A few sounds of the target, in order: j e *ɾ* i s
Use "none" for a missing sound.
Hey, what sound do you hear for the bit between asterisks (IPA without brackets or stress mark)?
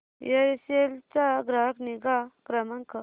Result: ɾ